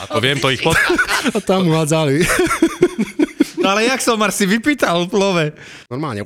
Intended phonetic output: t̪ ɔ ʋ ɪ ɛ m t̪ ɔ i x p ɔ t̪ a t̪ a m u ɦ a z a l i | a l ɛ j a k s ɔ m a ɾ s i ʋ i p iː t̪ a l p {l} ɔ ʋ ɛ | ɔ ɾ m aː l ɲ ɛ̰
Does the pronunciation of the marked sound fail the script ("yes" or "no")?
no